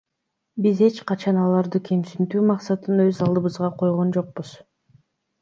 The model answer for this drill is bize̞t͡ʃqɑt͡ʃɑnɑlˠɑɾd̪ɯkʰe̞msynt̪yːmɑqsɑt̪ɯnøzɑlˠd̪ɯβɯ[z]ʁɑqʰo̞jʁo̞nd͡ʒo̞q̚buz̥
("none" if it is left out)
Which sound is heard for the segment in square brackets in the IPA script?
z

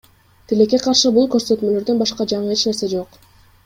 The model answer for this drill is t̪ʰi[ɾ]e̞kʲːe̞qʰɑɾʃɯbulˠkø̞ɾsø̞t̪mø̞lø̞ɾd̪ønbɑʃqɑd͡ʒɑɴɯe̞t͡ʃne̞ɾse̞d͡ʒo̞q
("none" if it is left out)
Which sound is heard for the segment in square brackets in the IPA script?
l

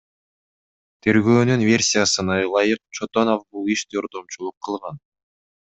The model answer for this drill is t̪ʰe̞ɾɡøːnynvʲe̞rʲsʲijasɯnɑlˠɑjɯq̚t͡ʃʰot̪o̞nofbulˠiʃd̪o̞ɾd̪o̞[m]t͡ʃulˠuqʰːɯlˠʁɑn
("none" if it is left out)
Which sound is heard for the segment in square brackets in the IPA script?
m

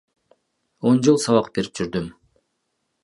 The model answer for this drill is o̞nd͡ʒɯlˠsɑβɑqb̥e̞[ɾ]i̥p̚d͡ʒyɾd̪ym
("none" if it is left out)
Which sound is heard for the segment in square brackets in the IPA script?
ɾ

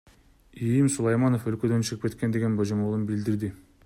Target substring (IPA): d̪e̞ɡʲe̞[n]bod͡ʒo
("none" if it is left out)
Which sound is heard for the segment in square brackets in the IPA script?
n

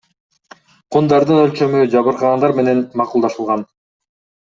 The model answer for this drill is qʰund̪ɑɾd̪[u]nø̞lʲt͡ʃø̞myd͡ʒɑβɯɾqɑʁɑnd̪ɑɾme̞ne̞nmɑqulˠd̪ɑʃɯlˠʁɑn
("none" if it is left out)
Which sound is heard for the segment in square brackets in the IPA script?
ɯ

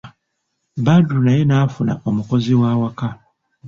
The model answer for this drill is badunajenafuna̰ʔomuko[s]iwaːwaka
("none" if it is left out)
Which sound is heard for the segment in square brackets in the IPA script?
z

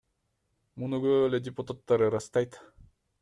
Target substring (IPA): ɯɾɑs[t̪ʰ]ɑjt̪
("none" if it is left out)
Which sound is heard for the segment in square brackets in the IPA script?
t̪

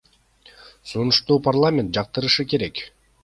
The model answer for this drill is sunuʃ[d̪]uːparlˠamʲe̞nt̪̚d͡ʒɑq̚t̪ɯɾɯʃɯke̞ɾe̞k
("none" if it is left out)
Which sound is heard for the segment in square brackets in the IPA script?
t̪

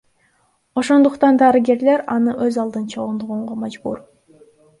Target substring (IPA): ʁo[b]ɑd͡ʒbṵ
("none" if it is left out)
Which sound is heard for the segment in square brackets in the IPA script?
m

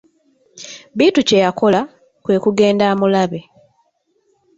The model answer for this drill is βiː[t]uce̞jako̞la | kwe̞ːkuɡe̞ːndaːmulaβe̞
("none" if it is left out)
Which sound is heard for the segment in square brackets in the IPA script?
t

